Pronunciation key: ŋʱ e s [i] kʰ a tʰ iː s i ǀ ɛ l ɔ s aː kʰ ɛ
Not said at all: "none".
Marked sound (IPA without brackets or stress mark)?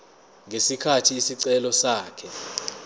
i